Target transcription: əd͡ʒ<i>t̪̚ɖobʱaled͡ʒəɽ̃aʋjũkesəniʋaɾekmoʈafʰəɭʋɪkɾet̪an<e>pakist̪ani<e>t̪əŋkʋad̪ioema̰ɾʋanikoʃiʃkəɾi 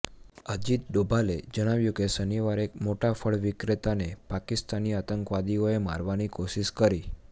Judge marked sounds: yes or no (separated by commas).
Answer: yes, yes, no